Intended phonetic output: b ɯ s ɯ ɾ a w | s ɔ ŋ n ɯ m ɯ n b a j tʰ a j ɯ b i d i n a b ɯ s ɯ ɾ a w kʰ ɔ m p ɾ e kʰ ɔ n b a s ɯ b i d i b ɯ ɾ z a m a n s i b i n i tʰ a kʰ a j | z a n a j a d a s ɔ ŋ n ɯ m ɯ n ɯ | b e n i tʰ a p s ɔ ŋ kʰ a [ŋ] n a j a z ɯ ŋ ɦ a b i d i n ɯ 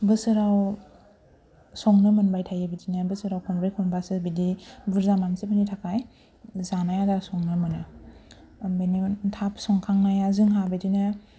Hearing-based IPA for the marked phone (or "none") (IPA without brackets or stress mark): ŋ